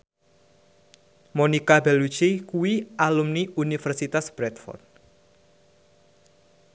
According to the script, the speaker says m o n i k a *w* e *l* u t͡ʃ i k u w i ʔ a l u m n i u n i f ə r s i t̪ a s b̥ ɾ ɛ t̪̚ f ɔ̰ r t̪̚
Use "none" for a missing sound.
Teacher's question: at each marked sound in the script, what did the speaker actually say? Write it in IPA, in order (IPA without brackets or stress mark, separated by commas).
b, l